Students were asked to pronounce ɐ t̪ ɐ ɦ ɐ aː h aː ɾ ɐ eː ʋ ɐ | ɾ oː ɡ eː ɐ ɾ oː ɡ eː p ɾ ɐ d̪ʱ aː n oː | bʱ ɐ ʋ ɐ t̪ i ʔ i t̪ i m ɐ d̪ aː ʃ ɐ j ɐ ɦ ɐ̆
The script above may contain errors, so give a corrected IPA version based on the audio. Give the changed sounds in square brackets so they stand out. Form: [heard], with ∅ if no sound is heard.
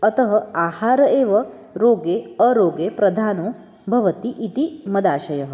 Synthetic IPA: ɐ t̪ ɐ ɦ ɐ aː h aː ɾ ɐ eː ʋ ɐ | ɾ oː ɡ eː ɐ ɾ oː ɡ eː p ɾ ɐ d̪ʱ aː n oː | bʱ ɐ ʋ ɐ t̪ i ʔ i t̪ i m ɐ d̪ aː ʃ ɐ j ɐ ɦ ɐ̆